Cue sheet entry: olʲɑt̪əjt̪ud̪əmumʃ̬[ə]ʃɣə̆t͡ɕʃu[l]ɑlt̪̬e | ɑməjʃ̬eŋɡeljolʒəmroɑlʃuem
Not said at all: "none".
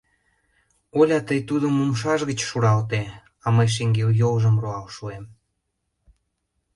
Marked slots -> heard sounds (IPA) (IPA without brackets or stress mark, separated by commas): ɑ, ɾ